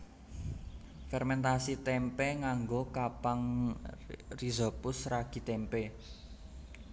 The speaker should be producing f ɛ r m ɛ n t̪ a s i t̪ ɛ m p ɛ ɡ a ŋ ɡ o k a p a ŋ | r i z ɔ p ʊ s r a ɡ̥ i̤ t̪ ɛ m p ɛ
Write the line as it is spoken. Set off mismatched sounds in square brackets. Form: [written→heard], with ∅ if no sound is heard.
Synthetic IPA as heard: f ɛ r m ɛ n t̪ a s i t̪ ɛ m p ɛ [ɡ→ŋ] a ŋ ɡ o k a p a ŋ | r i z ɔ p ʊ s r a ɡ̥ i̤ t̪ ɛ m p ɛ